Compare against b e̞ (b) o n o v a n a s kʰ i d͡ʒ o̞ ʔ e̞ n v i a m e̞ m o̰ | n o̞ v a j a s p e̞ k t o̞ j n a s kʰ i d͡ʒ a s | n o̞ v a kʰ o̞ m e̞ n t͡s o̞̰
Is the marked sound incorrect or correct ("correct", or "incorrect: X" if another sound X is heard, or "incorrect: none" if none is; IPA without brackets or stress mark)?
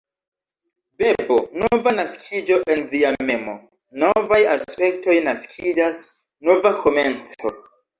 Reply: correct